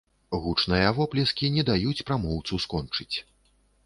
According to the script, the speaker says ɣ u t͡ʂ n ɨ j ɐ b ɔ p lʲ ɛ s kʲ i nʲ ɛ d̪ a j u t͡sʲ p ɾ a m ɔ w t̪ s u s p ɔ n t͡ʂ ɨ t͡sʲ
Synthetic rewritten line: ɣ u t͡ʂ n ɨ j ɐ v ɔ p lʲ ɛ s kʲ i nʲ ɛ d̪ a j u t͡sʲ p ɾ a m ɔ w t̪ s u s k ɔ n t͡ʂ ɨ t͡sʲ